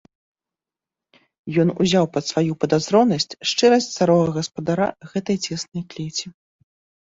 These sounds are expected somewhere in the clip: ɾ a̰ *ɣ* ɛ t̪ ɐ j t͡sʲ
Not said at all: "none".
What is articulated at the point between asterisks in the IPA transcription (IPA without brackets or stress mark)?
ɣ